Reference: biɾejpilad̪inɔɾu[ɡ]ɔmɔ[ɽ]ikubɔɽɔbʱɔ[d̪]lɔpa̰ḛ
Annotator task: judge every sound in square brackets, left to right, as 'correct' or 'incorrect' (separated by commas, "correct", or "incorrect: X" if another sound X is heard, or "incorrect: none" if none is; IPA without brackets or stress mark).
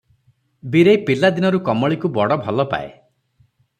incorrect: k, incorrect: ɭ, incorrect: none